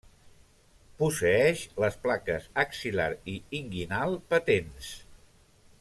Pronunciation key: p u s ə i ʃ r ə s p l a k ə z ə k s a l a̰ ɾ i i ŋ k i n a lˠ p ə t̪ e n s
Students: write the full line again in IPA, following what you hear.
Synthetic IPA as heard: p u s ə ɛ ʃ l ə s p l a k ə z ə k s i l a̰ ɾ i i ŋ ɡ i n a lˠ p ə t̪ e n s

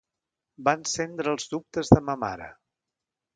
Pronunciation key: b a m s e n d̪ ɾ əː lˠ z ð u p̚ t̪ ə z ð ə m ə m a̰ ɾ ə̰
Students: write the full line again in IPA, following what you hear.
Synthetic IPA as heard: b a n s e n d̪ ɾ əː lˠ z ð u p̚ t̪ ə z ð ə m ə m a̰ ɾ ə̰

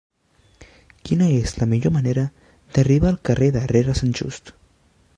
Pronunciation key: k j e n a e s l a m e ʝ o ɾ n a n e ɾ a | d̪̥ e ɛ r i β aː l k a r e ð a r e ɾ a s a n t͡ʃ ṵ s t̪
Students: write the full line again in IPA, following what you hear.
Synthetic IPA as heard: k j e n a e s l a m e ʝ o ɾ m a n e ɾ a | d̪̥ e a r i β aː l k a r e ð a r e ɾ a s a n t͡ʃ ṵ s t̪

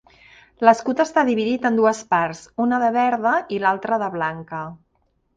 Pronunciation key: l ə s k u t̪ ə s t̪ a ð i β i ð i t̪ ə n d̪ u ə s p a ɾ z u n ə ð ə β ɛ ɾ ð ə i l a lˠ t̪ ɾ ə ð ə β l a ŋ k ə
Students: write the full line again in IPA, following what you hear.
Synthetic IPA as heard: l ə s k u t̪ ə s t̪ a ð i β i ð i t̪ ə n d̪ u ə s p a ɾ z u n ə ð ə β ɛ ɾ ð ə i l a lˠ t̪ ɾ ə ð ə β l a ŋ k ə

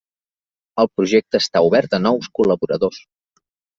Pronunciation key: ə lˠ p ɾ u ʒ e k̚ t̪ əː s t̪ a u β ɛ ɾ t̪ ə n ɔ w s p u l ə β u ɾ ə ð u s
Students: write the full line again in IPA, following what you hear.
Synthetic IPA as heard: ə lˠ p ɾ u ʒ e k̚ t̪ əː s t̪ a u β ɛ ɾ t̪ ə n ɔ w s k u l ə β u ɾ ə ð o s

